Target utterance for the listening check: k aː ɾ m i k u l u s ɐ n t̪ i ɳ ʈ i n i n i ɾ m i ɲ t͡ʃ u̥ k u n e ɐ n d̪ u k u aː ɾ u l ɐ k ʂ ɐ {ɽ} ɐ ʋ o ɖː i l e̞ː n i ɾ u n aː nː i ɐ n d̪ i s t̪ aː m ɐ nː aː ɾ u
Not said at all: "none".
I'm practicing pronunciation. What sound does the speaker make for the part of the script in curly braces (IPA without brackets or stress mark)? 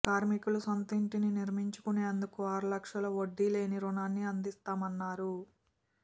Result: l